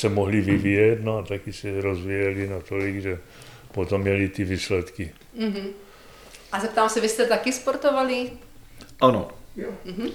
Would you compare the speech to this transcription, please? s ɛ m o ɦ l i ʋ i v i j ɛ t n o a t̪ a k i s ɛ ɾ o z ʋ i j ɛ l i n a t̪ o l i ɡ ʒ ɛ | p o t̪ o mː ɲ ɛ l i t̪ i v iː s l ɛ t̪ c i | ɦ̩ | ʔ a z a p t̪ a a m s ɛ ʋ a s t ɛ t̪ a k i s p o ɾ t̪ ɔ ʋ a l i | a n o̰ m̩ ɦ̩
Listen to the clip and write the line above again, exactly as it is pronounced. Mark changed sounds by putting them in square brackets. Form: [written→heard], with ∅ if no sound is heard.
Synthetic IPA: s ɛ m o ɦ l i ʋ i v i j ɛ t n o a t̪ a k i s ɛ ɾ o z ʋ i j ɛ l i n a t̪ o l i ɡ ʒ ɛ | p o t̪ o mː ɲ ɛ l i t̪ i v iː s l ɛ t̪ [c→k] i | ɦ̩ | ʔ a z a p t̪ a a m s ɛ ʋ [a→i] s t ɛ t̪ a k i s p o ɾ t̪ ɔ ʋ a l i | a n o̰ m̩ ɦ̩